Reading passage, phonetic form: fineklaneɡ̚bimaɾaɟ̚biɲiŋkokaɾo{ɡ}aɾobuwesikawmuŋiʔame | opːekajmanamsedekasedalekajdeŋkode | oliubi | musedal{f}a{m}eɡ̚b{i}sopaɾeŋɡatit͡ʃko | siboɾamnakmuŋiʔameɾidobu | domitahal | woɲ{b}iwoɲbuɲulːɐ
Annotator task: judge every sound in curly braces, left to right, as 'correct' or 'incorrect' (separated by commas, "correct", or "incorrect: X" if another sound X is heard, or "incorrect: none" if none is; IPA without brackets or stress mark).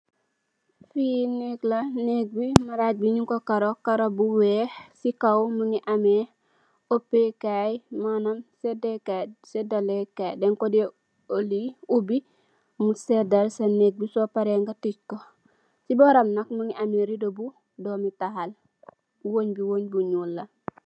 incorrect: k, incorrect: s, incorrect: n, correct, correct